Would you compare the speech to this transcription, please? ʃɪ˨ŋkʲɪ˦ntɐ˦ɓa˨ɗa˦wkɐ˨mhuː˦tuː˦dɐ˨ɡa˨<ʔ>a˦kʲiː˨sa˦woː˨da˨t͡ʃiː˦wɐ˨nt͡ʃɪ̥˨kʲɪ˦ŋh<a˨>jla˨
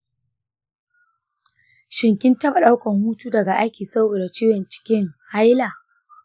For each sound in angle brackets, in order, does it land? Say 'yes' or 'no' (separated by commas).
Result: yes, no